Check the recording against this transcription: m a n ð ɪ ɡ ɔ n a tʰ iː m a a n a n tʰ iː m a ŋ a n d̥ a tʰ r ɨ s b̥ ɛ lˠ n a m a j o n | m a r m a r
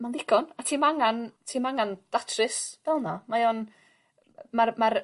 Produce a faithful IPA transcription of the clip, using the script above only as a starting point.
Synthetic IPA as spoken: m a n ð ɪ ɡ ɔ n a tʰ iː m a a ŋ a n tʰ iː m a ŋ a n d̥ a tʰ r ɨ s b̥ ɛ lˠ n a m a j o n | m a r m a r